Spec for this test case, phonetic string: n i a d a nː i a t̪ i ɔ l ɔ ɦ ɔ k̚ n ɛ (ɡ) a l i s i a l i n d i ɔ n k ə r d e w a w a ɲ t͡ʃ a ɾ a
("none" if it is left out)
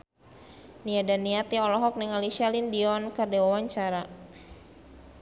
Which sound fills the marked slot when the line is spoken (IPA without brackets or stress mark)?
ŋ